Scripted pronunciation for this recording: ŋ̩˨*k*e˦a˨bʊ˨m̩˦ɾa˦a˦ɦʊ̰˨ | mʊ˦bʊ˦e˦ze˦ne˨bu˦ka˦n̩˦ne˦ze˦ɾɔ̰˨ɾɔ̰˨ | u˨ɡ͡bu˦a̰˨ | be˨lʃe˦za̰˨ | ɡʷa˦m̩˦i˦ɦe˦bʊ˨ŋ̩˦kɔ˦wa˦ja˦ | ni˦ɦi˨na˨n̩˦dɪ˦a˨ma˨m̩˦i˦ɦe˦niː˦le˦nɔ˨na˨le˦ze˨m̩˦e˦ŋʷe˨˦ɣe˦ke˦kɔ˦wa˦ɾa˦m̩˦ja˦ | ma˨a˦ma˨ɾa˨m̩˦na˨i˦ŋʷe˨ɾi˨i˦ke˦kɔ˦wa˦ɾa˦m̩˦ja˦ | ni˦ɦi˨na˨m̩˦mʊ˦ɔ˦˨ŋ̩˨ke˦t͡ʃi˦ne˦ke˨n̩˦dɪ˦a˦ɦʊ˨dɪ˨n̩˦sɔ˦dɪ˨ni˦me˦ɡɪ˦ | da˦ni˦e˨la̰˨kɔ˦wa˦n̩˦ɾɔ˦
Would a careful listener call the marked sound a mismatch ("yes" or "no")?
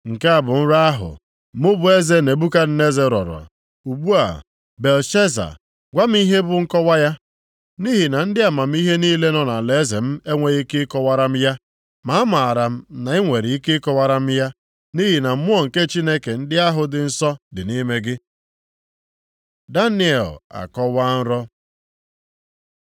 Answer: no